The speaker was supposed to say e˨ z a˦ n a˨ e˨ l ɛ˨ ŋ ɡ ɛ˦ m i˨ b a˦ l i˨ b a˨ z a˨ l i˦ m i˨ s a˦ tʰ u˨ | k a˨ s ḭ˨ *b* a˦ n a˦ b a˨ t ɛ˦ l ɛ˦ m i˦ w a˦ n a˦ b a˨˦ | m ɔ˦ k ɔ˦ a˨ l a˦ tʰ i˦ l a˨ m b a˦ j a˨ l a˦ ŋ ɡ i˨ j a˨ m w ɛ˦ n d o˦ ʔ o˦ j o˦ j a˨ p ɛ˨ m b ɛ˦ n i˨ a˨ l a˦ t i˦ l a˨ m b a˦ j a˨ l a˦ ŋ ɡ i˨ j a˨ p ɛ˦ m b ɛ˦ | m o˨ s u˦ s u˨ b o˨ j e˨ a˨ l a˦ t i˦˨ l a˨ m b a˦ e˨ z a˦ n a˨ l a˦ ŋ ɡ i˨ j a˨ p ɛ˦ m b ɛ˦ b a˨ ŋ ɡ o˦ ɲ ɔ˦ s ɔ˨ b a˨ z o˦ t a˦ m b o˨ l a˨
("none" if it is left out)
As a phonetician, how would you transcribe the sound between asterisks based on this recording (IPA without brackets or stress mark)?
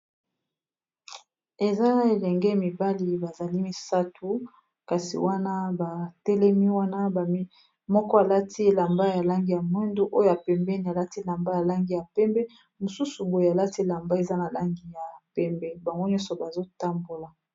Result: w